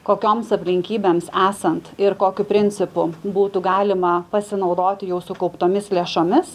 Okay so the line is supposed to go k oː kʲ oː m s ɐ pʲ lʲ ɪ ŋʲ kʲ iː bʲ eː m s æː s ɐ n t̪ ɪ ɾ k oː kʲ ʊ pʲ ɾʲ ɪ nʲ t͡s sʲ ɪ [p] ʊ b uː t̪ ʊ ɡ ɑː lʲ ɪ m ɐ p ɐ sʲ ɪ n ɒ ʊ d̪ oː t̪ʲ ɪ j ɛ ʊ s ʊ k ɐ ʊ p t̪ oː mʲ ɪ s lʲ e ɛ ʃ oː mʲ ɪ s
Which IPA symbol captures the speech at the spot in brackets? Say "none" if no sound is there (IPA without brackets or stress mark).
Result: p